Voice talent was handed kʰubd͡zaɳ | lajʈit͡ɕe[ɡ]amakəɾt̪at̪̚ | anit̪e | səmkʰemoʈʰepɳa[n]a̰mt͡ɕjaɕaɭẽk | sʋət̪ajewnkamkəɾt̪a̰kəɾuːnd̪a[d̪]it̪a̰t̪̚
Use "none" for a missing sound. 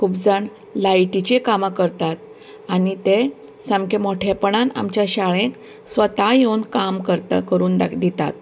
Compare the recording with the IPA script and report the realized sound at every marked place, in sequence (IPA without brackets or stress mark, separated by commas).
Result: k, n, d̪